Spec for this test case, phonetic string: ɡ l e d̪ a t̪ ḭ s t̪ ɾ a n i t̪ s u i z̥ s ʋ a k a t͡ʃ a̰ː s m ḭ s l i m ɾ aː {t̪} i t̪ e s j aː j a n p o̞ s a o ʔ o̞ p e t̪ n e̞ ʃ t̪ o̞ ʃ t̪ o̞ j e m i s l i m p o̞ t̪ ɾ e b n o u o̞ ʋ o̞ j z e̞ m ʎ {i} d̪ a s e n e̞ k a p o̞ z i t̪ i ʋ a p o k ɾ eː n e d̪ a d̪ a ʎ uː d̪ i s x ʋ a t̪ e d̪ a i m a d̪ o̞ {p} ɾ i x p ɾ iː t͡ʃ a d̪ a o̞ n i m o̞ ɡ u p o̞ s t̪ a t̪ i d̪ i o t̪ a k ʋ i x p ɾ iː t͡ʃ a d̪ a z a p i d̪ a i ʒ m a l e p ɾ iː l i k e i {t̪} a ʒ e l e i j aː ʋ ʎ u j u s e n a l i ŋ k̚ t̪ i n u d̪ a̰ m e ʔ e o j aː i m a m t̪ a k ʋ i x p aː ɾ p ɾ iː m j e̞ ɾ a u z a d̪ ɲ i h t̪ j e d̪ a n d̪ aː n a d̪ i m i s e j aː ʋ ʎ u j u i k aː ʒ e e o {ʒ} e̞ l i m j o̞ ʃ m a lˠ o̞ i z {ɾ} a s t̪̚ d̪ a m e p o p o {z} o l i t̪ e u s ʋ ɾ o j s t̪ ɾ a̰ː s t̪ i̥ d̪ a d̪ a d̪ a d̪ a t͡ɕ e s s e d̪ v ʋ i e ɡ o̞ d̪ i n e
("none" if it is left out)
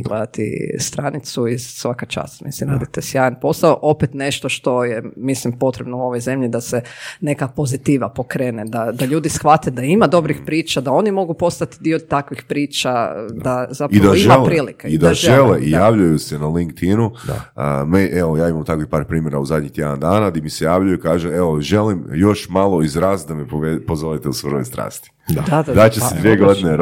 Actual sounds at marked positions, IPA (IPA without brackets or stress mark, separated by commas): d̪, i, b, d̪, ʒ, ɾ, z